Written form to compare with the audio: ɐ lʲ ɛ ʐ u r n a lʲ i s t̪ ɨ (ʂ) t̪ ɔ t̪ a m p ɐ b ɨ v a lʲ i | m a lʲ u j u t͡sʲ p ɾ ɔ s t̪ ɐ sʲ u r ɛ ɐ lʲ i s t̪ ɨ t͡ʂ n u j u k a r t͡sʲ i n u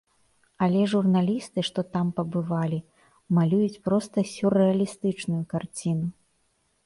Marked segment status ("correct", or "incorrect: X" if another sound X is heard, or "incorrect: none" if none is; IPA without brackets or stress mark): correct